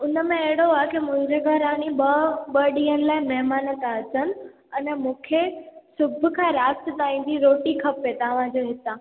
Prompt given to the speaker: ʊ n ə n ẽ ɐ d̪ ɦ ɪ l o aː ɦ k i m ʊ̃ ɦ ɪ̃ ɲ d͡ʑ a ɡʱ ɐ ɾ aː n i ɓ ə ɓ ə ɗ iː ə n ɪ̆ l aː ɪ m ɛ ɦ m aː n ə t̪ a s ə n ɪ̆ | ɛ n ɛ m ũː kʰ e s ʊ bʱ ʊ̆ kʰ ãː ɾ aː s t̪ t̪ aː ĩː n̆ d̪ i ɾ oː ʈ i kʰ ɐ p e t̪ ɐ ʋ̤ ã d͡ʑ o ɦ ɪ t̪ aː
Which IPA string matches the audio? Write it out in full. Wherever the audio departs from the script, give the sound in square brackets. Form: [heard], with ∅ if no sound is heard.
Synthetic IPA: ʊ n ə [m] ẽ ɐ [∅] ɦ ɪ [ɽ] o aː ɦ k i m ʊ̃ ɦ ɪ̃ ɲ d͡ʑ [e] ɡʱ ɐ ɾ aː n i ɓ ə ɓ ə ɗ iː ə n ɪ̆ l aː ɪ m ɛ ɦ m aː n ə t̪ a s ə n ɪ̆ | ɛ n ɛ m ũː kʰ e s ʊ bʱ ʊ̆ kʰ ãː ɾ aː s t̪ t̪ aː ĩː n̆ d̪ i ɾ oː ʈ i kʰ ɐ p e t̪ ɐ ʋ̤ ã d͡ʑ o ɦ ɪ t̪ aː